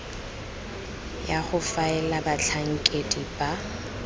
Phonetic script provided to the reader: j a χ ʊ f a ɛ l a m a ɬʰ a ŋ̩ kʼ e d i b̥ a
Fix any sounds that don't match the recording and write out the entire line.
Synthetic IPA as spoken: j a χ ʊ f a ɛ l a b a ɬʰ a ŋ̩ kʼ e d i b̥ a